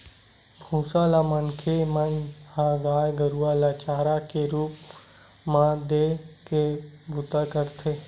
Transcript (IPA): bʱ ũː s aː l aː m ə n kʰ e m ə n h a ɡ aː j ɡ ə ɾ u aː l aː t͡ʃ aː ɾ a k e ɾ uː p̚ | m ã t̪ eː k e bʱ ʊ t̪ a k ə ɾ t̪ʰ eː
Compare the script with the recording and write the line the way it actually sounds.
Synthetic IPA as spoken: bʱ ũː s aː l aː m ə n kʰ e m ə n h a ɡ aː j ɡ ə ɾ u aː l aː t͡ʃ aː ɾ a k e ɾ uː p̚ | m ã d̪ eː k e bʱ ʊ t̪ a k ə ɾ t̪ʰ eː